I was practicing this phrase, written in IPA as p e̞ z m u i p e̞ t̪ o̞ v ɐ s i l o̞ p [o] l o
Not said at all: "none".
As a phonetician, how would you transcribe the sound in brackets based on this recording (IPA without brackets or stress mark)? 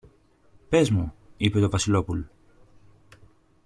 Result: u